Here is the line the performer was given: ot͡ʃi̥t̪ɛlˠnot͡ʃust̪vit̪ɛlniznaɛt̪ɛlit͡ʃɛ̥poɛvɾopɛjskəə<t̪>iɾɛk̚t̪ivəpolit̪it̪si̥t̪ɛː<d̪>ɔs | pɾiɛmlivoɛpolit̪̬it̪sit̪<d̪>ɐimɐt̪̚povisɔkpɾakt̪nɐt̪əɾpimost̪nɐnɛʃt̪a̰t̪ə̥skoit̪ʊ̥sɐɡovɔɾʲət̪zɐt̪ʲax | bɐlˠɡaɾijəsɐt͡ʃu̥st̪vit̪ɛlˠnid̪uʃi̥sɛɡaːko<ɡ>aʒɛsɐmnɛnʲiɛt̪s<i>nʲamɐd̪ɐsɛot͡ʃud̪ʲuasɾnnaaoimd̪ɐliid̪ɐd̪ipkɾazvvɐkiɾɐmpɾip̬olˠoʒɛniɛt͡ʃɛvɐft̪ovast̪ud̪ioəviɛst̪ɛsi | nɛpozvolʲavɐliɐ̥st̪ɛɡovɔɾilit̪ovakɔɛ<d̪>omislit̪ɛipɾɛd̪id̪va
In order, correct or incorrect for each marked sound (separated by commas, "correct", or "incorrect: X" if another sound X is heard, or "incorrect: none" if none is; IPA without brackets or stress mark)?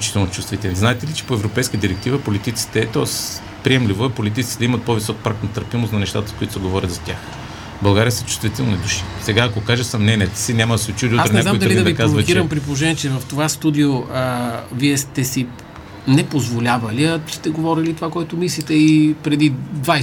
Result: incorrect: d̪, incorrect: t̪, correct, incorrect: k, correct, incorrect: t̪